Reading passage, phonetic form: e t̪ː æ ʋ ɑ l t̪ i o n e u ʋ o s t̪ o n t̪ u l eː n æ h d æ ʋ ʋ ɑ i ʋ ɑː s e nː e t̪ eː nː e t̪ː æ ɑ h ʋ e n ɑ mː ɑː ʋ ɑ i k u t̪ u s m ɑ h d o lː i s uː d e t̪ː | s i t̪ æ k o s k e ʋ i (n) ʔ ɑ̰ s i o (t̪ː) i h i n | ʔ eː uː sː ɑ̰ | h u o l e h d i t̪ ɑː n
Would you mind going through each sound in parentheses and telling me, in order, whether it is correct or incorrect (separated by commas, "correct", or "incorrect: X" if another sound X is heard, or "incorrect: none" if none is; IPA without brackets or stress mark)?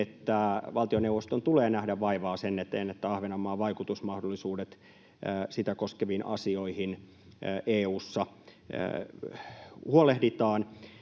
correct, incorrect: none